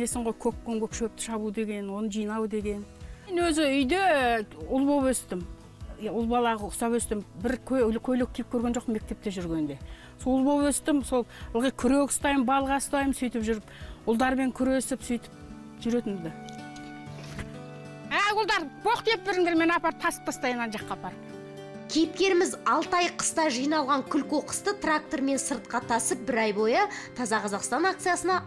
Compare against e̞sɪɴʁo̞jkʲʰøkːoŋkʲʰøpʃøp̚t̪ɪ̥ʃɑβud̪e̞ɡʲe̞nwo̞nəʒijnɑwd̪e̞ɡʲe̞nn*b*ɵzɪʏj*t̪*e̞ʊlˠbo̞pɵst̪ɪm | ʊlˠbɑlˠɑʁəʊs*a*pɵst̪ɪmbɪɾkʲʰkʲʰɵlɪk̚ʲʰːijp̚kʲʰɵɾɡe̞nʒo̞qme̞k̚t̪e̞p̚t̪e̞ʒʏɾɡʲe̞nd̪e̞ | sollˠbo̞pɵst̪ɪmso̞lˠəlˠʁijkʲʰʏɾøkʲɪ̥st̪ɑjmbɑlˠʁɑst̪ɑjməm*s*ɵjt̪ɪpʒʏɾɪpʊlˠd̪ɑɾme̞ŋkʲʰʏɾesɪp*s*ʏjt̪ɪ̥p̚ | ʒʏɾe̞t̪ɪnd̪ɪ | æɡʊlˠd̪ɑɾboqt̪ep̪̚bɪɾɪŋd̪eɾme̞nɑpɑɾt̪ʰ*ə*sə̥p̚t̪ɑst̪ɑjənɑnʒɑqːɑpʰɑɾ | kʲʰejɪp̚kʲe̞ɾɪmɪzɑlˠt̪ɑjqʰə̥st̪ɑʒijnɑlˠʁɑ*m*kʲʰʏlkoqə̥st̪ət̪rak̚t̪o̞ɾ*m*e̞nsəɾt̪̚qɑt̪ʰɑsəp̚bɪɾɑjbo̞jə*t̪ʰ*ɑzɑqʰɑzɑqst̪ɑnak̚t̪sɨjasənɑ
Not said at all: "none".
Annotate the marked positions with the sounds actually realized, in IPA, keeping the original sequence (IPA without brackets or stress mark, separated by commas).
w, d̪, ɑ, s, s, ɑ, ŋ, m, t̪ʰ